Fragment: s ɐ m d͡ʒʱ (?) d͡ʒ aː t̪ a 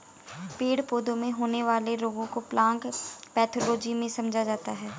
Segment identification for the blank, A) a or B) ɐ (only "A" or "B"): A